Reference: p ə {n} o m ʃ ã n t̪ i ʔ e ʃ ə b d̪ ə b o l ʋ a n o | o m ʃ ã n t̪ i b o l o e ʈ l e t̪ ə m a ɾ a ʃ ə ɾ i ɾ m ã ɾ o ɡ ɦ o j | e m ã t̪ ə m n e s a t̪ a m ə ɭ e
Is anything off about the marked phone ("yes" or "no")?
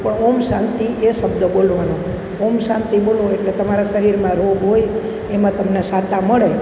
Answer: yes